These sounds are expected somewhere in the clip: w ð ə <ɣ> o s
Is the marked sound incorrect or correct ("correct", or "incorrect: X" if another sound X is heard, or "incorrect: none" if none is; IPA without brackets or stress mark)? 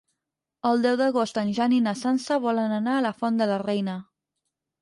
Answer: correct